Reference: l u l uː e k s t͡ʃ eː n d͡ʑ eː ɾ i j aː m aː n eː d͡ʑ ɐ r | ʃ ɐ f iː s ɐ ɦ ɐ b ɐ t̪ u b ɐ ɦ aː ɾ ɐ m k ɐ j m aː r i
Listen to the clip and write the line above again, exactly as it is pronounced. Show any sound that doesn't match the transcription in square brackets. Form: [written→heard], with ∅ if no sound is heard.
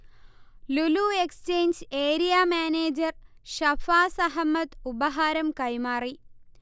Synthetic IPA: l u l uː e k s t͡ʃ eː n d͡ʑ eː ɾ i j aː m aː n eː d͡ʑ ɐ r | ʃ ɐ f [iː→aː] s ɐ ɦ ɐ [b→m] ɐ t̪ u b ɐ ɦ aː ɾ ɐ m k ɐ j m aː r i